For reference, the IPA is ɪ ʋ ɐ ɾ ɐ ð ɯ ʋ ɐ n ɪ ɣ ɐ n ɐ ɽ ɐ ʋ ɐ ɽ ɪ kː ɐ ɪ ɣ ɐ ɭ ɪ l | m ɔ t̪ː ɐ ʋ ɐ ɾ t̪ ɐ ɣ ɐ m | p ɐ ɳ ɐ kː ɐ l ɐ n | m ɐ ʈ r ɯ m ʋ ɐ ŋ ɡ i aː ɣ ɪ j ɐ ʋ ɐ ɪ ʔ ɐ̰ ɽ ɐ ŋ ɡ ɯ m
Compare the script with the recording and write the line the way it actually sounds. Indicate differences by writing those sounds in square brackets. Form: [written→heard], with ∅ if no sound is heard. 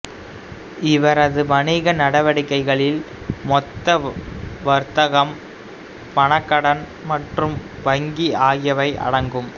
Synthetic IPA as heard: ɪ ʋ ɐ ɾ ɐ ð ɯ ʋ ɐ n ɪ ɣ ɐ n ɐ ɽ ɐ ʋ ɐ ɽ ɪ kː ɐ ɪ ɣ ɐ ɭ ɪ l | m ɔ t̪ː ɐ ʋ ɐ ɾ t̪ ɐ ɣ ɐ m | p ɐ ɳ ɐ kː ɐ [l→ɽ] ɐ n | m ɐ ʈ r ɯ m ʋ ɐ ŋ ɡ i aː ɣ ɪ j ɐ ʋ ɐ ɪ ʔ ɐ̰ ɽ ɐ ŋ ɡ ɯ m